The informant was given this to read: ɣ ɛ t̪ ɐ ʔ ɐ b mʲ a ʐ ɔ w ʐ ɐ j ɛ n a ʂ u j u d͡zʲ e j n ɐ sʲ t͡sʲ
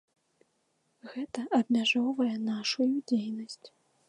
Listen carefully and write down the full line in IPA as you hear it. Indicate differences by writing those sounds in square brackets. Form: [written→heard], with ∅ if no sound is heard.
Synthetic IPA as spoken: ɣ ɛ t̪ ɐ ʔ ɐ b mʲ a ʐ ɔ w [ʐ→v] ɐ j ɛ n a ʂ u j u d͡zʲ e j n ɐ sʲ t͡sʲ